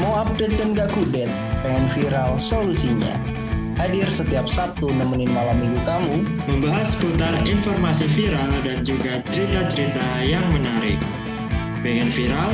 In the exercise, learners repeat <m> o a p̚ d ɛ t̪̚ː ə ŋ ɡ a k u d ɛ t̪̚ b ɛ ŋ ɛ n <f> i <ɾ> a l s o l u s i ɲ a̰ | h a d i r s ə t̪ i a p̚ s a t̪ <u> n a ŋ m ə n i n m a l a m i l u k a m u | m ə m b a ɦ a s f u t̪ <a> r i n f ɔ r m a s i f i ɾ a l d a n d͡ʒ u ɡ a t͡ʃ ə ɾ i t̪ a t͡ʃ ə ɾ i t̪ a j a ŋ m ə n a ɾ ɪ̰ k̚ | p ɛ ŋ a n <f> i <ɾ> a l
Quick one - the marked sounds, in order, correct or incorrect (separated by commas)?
correct, correct, correct, correct, correct, correct, correct